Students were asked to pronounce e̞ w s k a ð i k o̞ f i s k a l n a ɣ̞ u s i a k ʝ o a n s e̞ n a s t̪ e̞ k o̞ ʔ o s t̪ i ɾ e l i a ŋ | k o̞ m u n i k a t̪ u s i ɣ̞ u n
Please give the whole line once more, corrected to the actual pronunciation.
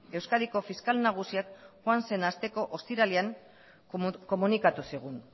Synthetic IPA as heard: e̞ w s k a ð i k o̞ f i s k a l n a ɣ̞ u s i a k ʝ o a n s e̞ n a s t̪ e̞ k o̞ ʔ o s t̪ i ɾ a l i a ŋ | k o̞ m u n i k a t̪ u s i ɣ̞ u n